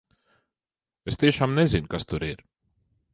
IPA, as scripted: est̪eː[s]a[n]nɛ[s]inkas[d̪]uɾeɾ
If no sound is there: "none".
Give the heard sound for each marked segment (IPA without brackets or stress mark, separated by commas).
ʃ, m, z, t̪